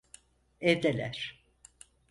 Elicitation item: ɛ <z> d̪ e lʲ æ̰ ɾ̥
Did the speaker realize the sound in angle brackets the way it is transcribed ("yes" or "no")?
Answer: no